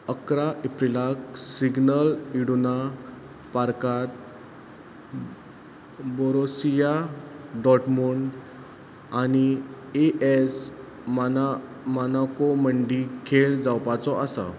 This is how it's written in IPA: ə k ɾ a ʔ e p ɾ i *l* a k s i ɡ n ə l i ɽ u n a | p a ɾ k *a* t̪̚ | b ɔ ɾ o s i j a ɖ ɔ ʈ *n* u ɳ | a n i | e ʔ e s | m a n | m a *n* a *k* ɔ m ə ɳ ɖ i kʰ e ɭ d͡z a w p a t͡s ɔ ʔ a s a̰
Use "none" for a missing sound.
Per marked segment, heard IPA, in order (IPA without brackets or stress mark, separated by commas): l, a, m, n, k